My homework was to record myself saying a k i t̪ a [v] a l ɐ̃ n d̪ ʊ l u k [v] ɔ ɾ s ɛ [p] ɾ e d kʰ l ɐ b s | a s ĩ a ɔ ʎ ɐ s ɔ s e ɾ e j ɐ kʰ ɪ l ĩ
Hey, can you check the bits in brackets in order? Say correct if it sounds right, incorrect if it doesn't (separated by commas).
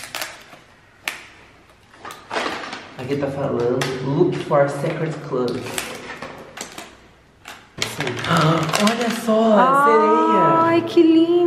incorrect, incorrect, incorrect